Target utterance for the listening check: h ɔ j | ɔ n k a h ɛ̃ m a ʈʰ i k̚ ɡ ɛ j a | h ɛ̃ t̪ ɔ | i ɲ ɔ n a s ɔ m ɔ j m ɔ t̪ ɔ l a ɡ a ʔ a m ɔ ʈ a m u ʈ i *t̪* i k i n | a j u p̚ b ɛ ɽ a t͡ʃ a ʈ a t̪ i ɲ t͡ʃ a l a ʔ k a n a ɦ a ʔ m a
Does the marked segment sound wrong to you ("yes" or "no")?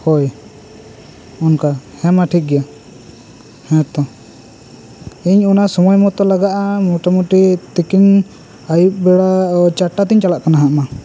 no